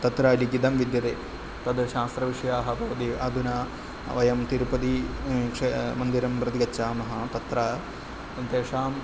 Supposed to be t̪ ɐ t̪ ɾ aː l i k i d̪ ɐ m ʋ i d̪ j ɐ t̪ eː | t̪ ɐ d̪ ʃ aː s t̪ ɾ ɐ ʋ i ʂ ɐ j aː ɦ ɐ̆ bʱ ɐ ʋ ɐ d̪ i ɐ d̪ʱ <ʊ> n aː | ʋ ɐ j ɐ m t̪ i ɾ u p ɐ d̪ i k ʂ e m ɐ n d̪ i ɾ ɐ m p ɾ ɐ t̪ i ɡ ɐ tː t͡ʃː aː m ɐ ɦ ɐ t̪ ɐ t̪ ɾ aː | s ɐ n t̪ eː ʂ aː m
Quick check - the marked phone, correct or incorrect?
incorrect